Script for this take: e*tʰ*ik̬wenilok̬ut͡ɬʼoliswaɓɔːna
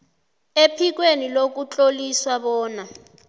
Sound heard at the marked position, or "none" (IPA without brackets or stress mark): pʰ